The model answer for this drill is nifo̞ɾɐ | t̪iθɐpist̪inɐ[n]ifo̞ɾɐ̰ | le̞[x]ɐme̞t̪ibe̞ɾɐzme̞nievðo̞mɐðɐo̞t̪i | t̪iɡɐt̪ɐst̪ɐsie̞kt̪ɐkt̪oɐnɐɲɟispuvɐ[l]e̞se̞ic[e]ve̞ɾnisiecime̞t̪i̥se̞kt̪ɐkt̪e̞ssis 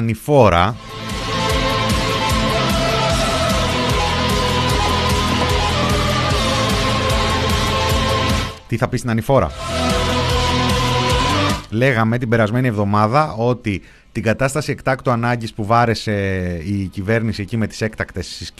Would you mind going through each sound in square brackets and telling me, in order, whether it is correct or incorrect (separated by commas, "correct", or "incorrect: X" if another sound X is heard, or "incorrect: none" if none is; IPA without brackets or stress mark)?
correct, incorrect: ɣ, incorrect: ɾ, incorrect: i